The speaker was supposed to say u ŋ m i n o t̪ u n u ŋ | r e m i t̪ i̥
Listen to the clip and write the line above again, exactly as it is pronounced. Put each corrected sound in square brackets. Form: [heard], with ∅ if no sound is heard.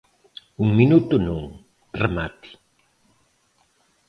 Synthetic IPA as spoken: u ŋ m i n [u] t̪ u n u ŋ | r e m [a] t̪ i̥